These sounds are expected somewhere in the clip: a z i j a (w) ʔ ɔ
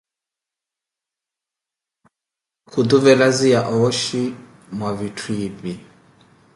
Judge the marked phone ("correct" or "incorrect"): incorrect